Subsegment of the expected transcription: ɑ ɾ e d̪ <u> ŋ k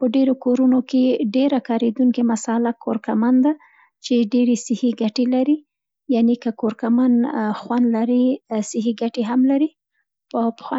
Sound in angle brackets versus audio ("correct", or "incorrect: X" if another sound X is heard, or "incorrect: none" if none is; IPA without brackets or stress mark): correct